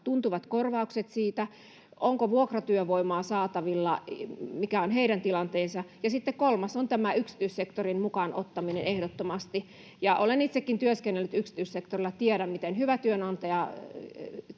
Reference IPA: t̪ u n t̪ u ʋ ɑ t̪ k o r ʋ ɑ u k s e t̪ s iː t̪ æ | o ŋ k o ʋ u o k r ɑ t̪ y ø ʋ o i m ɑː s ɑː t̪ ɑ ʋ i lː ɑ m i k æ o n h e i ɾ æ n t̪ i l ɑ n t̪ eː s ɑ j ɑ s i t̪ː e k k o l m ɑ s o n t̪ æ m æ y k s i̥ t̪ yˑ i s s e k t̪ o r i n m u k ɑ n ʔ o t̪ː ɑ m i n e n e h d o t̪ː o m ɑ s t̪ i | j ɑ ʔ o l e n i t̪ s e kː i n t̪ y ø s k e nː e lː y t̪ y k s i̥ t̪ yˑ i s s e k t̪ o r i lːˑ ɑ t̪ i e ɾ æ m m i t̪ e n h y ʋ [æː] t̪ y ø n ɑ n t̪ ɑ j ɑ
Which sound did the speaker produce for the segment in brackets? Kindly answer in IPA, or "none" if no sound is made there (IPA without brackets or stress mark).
æ